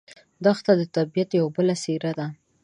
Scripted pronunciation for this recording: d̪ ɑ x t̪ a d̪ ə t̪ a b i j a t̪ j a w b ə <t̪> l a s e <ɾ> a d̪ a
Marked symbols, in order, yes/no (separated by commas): no, yes